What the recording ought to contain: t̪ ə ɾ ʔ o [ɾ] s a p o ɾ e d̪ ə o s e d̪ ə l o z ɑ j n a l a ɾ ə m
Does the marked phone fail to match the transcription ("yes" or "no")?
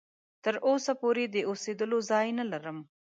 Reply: yes